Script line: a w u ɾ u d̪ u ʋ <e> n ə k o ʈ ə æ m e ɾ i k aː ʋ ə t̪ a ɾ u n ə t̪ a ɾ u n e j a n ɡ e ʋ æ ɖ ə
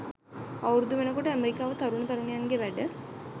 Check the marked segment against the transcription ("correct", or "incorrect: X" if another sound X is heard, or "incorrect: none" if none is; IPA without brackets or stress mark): correct